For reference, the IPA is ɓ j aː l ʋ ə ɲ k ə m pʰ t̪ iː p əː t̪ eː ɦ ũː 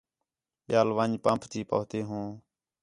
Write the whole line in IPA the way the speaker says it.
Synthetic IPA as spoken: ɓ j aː l ʋ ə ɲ p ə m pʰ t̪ iː p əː t̪ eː ɦ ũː